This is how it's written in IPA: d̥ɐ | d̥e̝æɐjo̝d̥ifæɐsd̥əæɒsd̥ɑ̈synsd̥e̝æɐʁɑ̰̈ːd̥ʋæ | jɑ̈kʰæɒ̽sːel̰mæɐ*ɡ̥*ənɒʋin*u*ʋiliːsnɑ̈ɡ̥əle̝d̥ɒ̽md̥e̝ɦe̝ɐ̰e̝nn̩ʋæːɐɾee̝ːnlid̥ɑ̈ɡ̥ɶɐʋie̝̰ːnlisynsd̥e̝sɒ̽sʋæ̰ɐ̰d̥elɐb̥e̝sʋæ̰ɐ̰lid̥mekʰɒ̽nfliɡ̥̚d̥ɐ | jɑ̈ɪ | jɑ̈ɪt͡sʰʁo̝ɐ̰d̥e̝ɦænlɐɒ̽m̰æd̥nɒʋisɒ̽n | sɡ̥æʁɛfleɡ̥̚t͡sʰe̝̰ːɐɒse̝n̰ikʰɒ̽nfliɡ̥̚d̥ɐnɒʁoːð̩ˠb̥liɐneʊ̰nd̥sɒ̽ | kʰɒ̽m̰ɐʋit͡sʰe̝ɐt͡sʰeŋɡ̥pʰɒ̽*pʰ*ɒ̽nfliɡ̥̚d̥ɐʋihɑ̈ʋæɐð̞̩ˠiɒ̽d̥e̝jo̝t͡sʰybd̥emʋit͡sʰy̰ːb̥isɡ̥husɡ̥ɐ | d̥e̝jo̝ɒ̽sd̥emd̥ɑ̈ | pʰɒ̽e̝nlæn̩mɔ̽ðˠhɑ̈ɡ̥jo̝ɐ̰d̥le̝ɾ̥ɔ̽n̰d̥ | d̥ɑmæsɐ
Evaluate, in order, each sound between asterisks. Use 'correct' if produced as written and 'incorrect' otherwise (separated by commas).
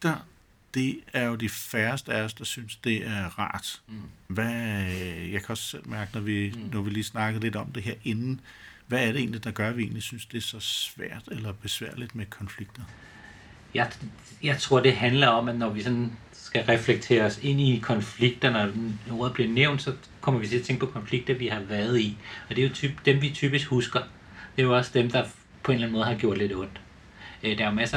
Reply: correct, incorrect, incorrect